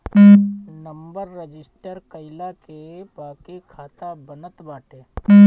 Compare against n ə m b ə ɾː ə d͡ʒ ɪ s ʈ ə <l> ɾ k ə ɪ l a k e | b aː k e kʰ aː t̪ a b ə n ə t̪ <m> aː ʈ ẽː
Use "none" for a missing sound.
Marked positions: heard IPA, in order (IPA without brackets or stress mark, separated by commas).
none, b